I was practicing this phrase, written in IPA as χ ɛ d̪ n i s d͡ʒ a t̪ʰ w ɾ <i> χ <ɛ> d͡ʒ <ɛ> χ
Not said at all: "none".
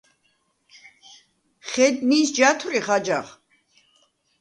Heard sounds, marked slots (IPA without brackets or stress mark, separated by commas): i, a, a